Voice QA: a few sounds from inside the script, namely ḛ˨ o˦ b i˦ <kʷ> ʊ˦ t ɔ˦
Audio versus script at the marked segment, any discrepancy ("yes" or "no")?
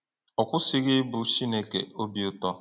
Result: yes